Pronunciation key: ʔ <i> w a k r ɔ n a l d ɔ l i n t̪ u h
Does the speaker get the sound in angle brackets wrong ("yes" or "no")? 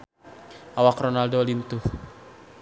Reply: yes